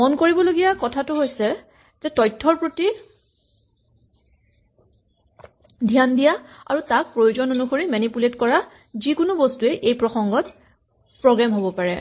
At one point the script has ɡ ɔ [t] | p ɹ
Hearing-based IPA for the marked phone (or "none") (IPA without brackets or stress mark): t